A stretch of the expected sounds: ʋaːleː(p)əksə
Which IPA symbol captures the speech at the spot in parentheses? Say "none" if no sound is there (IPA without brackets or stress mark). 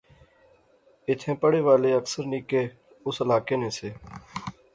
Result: none